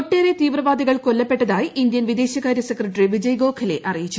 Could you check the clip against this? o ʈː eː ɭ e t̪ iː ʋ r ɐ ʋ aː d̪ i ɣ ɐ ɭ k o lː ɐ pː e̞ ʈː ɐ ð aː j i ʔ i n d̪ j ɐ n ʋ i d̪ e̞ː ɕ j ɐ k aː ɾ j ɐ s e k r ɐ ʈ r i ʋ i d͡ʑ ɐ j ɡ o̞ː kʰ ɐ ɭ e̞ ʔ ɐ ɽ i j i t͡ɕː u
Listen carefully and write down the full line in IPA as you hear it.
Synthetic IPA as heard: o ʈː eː ɾ e t̪ iː ʋ r ɐ ʋ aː d̪ i ɣ ɐ ɭ k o lː ɐ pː e̞ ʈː ɐ ð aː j i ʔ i n d̪ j ɐ n ʋ i d̪ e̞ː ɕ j ɐ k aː ɾ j ɐ s e k r ɐ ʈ r i ʋ i d͡ʑ ɐ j ɡ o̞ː kʰ ɐ l e̞ ʔ ɐ r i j i t͡ɕː u

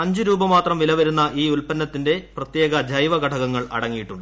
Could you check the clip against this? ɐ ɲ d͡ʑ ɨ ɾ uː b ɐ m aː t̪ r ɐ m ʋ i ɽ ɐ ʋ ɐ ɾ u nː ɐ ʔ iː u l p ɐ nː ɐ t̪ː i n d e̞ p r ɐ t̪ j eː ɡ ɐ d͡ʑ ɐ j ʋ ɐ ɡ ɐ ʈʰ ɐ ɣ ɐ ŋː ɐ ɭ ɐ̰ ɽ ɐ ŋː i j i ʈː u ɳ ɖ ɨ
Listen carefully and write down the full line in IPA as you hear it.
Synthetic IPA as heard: ɐ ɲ d͡ʑ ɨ ɾ uː b ɐ m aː t̪ r ɐ m ʋ i l ɐ ʋ ɐ ɾ u nː ɐ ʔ iː u l p ɐ nː ɐ t̪ː i n d e̞ p r ɐ t̪ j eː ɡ ɐ d͡ʑ ɐ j ʋ ɐ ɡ ɐ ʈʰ ɐ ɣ ɐ ŋː ɐ ɭ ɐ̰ ɽ ɐ ŋː i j i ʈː u ɳ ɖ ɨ

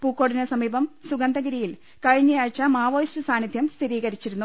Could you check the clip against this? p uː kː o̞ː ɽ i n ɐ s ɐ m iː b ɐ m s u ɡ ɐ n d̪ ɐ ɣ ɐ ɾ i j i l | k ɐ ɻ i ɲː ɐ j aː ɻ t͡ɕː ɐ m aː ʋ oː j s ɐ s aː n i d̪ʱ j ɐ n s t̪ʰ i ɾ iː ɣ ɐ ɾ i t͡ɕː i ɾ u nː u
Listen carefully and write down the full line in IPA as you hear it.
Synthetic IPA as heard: p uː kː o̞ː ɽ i n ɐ s ɐ m iː b ɐ m s u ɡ ɐ n d̪ ɐ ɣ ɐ ɾ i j i l | k ɐ ɻ i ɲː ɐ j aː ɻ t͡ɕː ɐ m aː ʋ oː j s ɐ s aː n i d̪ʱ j ɐ m s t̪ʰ i ɾ iː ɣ ɐ ɾ i t͡ɕː i ɾ u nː u

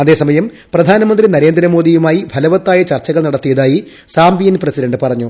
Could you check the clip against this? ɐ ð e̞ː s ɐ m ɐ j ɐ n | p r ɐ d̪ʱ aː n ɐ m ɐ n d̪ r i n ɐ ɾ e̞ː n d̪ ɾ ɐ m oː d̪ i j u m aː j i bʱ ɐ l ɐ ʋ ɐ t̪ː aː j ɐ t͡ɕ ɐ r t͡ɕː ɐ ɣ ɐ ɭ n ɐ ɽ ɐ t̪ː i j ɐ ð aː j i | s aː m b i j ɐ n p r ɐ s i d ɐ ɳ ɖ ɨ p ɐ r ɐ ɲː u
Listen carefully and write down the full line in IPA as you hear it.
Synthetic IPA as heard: ɐ ð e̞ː s ɐ m ɐ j ɐ m | p r ɐ d̪ʱ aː n ɐ m ɐ n d̪ r i n ɐ ɾ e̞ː n d̪ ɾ ɐ m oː d̪ i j u m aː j i bʱ ɐ l ɐ ʋ ɐ t̪ː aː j ɐ t͡ɕ ɐ r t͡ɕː ɐ ɣ ɐ ɭ n ɐ ɽ ɐ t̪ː i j ɐ ð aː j i | s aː m b i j ɐ n p r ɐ s i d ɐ ɳ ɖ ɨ p ɐ r ɐ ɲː u

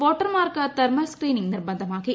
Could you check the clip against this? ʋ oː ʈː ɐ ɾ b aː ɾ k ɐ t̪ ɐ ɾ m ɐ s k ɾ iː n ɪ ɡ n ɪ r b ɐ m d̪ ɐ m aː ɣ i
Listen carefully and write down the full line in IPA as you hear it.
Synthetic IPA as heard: ʋ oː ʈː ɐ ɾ m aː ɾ k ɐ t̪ ɐ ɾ m ɐ s k ɾ iː n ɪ ŋ n ɪ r b ɐ n d̪ ɐ m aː ɣ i

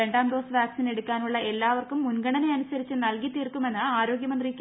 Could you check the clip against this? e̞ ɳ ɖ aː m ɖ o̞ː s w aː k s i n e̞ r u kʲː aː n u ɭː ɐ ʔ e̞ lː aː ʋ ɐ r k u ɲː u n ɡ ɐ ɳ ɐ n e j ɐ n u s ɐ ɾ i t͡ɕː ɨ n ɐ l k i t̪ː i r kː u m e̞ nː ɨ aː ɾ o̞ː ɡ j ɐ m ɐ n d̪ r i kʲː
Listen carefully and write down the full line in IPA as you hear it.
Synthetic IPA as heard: e̞ ɳ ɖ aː m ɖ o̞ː s ʋ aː k s i n e̞ ɽ u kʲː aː n u ɭː ɐ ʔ e̞ lː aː ʋ ɐ r k u mː u n ɡ ɐ ɳ ɐ n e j ɐ n u s ɐ ɾ i t͡ɕː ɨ n ɐ l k i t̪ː i r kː u m e̞ nː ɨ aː ɾ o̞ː ɡ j ɐ m ɐ n d̪ r i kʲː

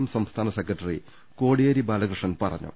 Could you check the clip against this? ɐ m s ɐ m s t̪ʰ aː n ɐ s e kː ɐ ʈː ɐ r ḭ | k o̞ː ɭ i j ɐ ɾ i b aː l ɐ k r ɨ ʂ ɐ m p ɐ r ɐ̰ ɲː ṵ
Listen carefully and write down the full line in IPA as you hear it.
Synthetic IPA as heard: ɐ m s ɐ m s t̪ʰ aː n ɐ s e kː ɐ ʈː ɐ r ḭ | k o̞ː ɽ i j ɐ ɾ i b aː l ɐ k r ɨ ʂ ɐ n p ɐ r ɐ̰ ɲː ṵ

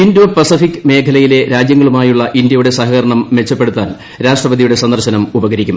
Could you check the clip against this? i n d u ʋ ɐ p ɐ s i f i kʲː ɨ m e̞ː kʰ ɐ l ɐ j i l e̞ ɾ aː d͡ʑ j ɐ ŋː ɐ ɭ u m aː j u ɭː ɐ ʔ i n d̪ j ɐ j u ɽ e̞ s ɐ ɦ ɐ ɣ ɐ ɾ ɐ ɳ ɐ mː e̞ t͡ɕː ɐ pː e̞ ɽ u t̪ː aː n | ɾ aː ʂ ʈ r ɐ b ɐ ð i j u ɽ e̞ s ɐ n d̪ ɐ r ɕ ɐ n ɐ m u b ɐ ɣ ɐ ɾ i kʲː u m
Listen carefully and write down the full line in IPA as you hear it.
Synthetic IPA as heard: i n d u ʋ ɐ p ɐ s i f i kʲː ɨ m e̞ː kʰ ɐ l ɐ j i l e̞ ɾ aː d͡ʑ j ɐ ŋː ɐ ɭ u m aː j u ɭː ɐ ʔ i n d̪ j ɐ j u ɽ e̞ s ɐ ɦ ɐ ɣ ɐ ɾ ɐ ɳ ɐ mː e̞ t͡ɕː ɐ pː e̞ ɽ u t̪ː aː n | ɾ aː ʂ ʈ r ɐ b ɐ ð i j u ɽ e̞ s ɐ n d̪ ɐ r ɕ ɐ n ɐ m u b ɐ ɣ ɐ ɾ i kʲː u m

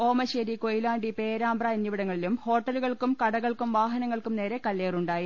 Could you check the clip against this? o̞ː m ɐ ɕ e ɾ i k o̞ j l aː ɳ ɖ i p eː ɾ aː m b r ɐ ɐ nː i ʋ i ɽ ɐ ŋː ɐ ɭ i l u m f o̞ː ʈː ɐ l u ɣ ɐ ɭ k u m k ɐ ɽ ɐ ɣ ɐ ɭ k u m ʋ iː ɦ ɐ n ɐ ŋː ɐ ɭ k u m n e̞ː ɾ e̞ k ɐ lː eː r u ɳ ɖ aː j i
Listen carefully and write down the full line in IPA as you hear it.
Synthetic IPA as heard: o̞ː m ɐ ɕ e ɾ i k o̞ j l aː ɳ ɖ i p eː ɾ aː m b r ɐ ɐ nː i ʋ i ɽ ɐ ŋː ɐ ɭ i l u m h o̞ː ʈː ɐ l u ɣ ɐ ɭ k u m k ɐ ɽ ɐ ɣ ɐ ɭ k u m ʋ aː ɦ ɐ n ɐ ŋː ɐ ɭ k u m n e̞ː ɾ e̞ k ɐ lː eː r u ɳ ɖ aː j i

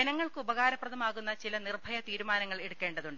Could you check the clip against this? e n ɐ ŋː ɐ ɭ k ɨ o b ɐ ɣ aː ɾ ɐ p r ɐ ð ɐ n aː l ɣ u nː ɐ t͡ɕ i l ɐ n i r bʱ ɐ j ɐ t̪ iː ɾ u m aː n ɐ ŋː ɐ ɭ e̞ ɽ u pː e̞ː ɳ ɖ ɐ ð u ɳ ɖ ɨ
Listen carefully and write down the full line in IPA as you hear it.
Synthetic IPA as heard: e n ɐ ŋː ɐ ɭ k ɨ u b ɐ ɣ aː ɾ ɐ p r ɐ ð ɐ m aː ɣ u nː ɐ t͡ɕ i l ɐ n i r bʱ ɐ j ɐ t̪ iː ɾ u m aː n ɐ ŋː ɐ ɭ e̞ ɽ u kː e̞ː ɳ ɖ ɐ ð u ɳ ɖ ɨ

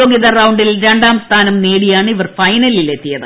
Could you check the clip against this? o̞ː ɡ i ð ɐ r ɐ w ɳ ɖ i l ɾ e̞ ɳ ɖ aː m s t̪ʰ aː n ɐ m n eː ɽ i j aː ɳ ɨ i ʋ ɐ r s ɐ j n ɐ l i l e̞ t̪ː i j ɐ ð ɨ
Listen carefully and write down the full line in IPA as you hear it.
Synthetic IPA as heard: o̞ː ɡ i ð ɐ r ɐ w ɳ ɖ i l ɾ e̞ ɳ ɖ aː m s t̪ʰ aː n ɐ m n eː ɽ i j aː ɳ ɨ i ʋ ɐ r f ɐ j n ɐ l i l e̞ t̪ː i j ɐ ð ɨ

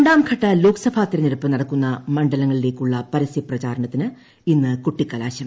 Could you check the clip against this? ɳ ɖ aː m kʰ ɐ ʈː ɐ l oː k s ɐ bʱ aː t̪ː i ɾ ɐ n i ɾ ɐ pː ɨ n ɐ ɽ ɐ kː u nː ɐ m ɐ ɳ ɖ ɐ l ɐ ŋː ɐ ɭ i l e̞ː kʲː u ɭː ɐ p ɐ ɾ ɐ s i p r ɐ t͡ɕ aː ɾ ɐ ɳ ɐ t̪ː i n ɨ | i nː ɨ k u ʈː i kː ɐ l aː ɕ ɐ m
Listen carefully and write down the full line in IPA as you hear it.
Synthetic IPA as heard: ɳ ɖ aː m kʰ ɐ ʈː ɐ l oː k s ɐ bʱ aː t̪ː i ɾ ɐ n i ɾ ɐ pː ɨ n ɐ ɽ ɐ kː u nː ɐ m ɐ ɳ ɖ ɐ l ɐ ŋː ɐ ɭ i l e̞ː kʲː u ɭː ɐ p ɐ ɾ ɐ s i p r ɐ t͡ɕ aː ɾ ɐ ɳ ɐ t̪ː i n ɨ | i nː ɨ k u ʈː i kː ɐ l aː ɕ ɐ m

